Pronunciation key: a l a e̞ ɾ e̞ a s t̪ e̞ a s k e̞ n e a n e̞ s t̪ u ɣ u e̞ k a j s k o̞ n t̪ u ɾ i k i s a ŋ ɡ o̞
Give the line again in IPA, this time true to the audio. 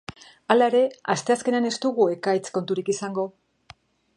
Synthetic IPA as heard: a l a e̞ ɾ e̞ a s t̪ e̞ a s k e̞ n e a n e̞ s t̪ u ɣ u e̞ k a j t͡s k o̞ n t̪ u ɾ i k i s a ŋ ɡ o̞